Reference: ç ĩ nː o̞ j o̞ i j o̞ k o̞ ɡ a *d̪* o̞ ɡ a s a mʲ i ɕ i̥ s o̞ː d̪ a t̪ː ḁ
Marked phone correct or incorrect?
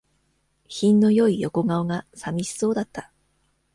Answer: incorrect